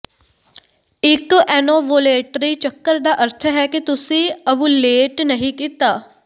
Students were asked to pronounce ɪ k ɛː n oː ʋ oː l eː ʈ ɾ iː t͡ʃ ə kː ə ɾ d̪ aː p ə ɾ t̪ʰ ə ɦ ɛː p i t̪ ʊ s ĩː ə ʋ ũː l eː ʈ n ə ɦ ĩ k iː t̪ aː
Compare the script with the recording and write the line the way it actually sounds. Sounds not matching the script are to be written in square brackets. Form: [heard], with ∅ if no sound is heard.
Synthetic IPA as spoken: ɪ k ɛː n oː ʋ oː l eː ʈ ɾ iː t͡ʃ ə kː ə ɾ d̪ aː [ʔ] ə ɾ t̪ʰ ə ɦ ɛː [k] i t̪ ʊ s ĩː ə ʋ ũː l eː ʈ n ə ɦ ĩ k iː t̪ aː